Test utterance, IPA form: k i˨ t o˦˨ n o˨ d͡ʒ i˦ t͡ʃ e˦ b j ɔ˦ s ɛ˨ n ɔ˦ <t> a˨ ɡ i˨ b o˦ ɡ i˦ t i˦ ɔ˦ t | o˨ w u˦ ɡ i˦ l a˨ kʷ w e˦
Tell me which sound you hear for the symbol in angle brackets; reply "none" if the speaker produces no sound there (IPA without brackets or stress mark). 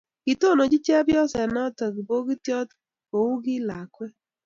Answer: t